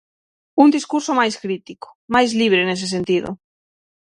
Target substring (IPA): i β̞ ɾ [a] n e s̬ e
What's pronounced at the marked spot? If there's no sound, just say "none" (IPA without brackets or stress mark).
e